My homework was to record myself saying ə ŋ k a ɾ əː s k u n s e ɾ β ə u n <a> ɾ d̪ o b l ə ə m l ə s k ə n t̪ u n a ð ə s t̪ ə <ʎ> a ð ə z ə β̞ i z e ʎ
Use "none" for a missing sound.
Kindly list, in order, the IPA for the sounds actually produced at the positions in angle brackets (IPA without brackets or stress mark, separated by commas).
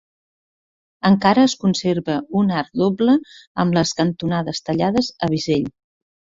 a, ʎ